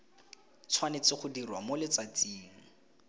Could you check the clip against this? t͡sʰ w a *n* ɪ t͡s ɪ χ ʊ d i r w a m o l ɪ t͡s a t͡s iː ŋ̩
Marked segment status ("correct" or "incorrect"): correct